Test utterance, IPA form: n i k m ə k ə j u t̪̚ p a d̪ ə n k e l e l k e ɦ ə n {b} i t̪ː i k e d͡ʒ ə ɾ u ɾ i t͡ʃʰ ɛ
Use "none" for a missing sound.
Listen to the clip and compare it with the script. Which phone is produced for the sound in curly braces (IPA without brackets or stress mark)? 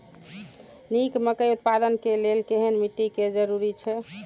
m